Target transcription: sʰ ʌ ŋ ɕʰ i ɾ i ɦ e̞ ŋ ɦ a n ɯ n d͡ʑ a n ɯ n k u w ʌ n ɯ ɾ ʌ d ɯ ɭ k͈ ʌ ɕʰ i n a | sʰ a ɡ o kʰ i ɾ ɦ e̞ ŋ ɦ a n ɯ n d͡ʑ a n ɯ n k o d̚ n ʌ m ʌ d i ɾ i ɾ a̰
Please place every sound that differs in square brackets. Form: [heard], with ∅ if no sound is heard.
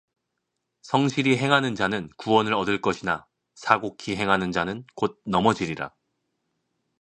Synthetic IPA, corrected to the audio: sʰ ʌ ŋ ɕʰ i ɾ i ɦ e̞ ŋ ɦ a n ɯ n d͡ʑ a n ɯ n k u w ʌ n ɯ ɾ ʌ d ɯ ɭ k͈ ʌ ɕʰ i n a | sʰ a ɡ o kʰ i [∅] ɦ e̞ ŋ ɦ a n ɯ n d͡ʑ a n ɯ n k o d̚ n ʌ m ʌ [d͡ʑ] i ɾ i ɾ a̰

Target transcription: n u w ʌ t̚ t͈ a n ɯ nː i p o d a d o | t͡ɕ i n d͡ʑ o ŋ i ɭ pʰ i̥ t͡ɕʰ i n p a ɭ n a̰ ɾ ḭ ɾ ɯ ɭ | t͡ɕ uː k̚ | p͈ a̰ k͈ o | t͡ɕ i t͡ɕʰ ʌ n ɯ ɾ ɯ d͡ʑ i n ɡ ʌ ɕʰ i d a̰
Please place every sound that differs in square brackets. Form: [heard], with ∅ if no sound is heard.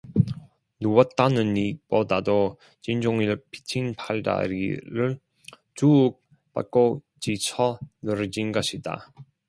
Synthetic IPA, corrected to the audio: n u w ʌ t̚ t͈ a n ɯ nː i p o d a d o | t͡ɕ i n d͡ʑ o ŋ i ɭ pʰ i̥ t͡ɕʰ i n [pʰ] a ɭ [d] a̰ ɾ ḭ ɾ ɯ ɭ | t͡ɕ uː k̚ | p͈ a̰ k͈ o | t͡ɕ i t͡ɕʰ ʌ n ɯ ɾ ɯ d͡ʑ i n ɡ ʌ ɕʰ i d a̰

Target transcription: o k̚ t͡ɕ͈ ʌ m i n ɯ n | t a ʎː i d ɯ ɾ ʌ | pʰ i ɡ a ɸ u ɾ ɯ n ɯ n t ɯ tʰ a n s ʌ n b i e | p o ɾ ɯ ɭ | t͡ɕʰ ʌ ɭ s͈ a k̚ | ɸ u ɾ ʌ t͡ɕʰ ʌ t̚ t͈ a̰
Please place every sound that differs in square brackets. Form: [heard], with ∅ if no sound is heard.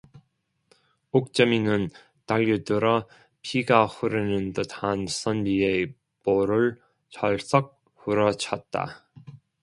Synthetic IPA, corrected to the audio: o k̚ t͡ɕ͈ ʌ m i n ɯ n | t a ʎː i d ɯ ɾ ʌ | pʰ i ɡ a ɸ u ɾ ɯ n ɯ n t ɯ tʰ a n s ʌ n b i e | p o ɾ ɯ ɭ | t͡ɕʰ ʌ ɭ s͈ [ʌ] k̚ | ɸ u ɾ ʌ t͡ɕʰ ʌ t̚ t͈ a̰

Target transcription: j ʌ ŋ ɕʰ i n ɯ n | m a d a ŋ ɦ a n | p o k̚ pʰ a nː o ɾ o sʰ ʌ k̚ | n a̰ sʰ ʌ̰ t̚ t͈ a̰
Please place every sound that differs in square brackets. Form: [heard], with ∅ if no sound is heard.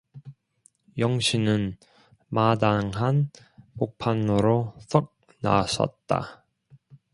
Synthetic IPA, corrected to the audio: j ʌ ŋ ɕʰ i n ɯ n | m a d a ŋ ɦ a n | p o k̚ pʰ a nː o ɾ o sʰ ʌ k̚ | n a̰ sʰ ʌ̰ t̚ t͈ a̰

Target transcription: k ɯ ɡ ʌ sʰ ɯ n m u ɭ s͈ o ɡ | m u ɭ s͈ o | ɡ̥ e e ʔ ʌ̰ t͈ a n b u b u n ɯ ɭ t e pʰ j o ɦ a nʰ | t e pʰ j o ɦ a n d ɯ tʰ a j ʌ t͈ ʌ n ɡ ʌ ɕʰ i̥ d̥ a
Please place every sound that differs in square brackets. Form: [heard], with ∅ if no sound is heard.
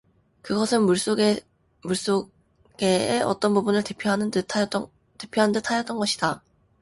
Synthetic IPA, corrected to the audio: k ɯ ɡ ʌ sʰ ɯ n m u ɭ s͈ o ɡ | m u ɭ s͈ o | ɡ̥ e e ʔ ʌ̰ t͈ [ʌ] n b u b u n ɯ ɭ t e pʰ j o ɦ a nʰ | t e pʰ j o ɦ a n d ɯ tʰ a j ʌ t͈ ʌ n ɡ ʌ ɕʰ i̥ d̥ a

